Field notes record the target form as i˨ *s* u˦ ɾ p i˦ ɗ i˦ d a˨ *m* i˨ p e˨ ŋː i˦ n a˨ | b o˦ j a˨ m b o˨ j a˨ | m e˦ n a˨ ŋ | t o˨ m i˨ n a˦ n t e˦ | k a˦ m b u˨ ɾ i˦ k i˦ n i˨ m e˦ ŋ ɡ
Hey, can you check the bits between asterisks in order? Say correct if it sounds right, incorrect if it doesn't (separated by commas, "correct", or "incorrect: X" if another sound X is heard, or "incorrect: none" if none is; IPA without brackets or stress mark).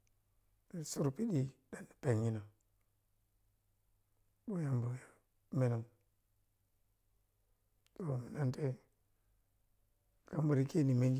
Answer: correct, incorrect: n